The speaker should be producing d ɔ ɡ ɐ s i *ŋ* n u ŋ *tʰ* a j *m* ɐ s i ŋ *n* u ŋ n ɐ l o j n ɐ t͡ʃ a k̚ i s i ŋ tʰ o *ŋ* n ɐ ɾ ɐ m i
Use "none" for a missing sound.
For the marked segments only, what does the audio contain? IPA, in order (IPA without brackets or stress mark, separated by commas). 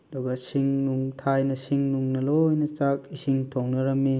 ŋ, tʰ, n, n, ŋ